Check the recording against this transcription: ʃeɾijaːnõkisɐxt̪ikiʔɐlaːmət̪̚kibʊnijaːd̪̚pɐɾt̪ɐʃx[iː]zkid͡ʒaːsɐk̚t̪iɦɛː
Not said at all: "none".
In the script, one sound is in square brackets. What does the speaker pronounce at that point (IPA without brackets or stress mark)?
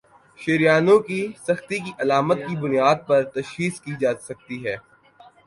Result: iː